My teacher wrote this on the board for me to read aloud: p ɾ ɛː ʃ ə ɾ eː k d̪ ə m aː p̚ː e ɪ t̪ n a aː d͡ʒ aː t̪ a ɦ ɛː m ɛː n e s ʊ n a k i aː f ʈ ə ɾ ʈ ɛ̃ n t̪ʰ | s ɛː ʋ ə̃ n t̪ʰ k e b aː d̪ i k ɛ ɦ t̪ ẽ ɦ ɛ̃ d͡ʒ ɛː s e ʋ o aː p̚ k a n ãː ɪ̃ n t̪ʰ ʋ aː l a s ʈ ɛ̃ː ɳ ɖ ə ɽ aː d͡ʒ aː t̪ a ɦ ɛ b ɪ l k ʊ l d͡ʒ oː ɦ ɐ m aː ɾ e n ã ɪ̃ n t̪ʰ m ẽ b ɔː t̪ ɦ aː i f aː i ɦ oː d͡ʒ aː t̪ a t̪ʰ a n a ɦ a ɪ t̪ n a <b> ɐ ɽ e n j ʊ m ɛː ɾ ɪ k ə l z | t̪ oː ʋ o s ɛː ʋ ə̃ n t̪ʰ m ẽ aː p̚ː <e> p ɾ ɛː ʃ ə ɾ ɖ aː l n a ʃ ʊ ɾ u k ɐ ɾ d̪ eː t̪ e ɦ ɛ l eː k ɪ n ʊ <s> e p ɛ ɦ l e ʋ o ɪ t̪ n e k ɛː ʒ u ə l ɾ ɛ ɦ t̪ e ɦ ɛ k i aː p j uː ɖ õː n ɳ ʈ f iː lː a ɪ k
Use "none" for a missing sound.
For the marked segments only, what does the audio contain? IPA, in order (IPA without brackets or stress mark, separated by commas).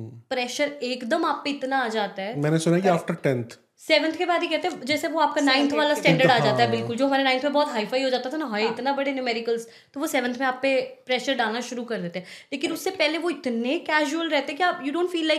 b, e, sː